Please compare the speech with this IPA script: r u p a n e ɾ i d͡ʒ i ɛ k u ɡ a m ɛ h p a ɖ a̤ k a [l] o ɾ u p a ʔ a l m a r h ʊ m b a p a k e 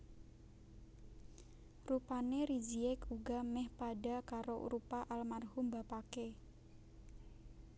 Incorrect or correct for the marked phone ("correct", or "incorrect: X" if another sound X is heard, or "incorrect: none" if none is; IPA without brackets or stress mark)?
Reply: incorrect: ɾ